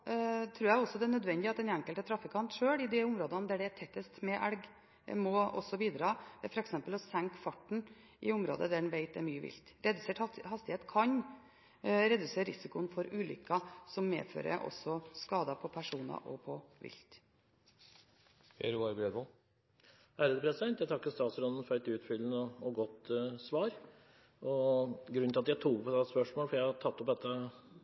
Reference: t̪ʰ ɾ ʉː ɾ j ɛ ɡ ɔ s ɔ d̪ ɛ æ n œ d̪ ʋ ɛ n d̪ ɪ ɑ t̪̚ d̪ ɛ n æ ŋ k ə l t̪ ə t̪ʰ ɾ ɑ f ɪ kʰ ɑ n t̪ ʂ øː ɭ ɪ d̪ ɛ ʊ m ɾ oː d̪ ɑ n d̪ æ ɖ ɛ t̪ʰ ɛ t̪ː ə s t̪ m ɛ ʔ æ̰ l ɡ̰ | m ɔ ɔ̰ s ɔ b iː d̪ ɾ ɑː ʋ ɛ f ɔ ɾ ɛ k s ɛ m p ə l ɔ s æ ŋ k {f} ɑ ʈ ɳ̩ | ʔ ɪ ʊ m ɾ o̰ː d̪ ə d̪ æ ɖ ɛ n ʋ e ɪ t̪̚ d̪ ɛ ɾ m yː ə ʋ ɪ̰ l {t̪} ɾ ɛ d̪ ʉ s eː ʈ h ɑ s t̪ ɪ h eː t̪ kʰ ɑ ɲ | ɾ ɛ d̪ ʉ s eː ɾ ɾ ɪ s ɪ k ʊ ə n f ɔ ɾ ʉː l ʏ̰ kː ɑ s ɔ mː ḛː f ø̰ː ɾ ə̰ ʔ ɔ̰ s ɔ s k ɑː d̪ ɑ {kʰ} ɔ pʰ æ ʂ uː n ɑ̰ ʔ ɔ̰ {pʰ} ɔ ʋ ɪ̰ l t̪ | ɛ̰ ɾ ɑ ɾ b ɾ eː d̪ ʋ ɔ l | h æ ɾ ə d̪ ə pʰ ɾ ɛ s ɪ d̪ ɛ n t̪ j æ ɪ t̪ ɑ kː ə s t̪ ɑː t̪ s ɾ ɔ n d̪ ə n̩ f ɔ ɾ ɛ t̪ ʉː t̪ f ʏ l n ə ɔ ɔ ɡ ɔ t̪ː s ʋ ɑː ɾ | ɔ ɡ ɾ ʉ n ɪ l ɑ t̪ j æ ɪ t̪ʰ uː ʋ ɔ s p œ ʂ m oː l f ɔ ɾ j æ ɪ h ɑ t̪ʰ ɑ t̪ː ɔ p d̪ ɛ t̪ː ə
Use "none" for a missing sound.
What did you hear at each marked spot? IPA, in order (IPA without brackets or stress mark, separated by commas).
f, t̪, pʰ, pʰ